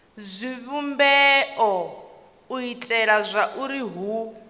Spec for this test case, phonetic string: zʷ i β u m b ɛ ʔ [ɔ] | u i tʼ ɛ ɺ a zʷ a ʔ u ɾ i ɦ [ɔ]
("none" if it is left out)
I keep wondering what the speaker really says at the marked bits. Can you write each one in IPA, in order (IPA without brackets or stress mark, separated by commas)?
ɔ, u